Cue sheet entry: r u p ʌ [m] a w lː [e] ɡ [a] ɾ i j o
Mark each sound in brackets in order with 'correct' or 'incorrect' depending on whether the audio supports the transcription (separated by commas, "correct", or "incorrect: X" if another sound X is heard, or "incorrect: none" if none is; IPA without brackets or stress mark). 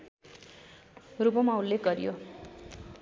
correct, correct, incorrect: ʌ